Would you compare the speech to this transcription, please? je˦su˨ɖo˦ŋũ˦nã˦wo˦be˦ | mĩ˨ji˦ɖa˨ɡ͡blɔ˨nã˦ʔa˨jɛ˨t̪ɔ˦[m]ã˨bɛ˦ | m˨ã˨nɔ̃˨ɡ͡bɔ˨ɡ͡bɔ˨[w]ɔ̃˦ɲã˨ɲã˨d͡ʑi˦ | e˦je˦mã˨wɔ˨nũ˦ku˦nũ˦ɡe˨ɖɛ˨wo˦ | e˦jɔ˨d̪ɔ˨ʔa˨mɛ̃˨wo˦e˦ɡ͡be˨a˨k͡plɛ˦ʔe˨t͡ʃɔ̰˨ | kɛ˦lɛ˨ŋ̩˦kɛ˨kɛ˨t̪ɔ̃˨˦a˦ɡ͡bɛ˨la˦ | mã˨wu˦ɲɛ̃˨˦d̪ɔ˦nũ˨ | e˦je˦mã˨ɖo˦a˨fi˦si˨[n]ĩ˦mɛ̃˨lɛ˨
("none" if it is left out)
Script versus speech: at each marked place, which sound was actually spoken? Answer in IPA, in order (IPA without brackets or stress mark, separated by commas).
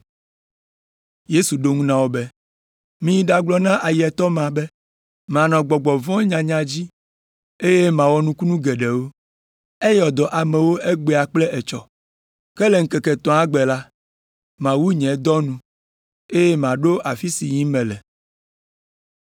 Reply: m, v, ɲ